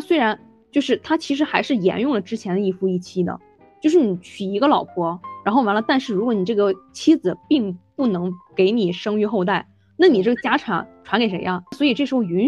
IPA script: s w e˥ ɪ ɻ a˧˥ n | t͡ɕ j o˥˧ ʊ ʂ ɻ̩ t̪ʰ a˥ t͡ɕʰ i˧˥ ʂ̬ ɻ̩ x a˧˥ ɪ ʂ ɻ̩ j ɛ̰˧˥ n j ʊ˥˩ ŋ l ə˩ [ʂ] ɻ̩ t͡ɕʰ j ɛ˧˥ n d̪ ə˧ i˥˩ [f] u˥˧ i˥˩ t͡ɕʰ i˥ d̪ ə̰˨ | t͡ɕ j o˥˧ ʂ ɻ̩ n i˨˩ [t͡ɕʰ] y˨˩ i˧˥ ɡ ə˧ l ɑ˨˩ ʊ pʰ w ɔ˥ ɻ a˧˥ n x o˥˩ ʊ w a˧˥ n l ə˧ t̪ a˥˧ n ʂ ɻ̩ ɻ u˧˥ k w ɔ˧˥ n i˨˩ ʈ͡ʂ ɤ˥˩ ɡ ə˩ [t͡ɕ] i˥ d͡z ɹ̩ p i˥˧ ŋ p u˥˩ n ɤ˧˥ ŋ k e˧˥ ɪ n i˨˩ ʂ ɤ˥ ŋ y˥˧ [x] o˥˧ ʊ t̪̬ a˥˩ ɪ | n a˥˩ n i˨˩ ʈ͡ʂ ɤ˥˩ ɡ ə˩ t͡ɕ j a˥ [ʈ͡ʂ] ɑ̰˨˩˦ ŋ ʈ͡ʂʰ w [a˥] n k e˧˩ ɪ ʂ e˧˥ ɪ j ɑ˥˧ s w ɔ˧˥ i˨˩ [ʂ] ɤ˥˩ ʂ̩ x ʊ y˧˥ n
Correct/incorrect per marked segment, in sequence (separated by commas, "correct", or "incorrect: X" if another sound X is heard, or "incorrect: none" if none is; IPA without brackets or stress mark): incorrect: ʈ͡ʂ, correct, correct, incorrect: t͡ɕʰ, correct, incorrect: ʈ͡ʂʰ, incorrect: a˧˥, incorrect: ʈ͡ʂ